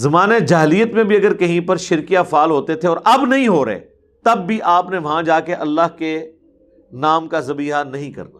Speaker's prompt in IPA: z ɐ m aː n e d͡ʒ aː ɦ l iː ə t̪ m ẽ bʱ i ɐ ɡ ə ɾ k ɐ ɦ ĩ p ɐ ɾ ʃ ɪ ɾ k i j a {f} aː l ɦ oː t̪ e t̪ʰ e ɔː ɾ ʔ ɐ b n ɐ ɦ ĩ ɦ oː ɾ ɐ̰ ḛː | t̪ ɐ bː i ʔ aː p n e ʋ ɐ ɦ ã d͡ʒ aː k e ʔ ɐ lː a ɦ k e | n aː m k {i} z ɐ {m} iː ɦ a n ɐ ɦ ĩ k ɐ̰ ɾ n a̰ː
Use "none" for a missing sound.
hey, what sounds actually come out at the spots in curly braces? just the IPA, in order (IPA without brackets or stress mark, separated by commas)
f, a, b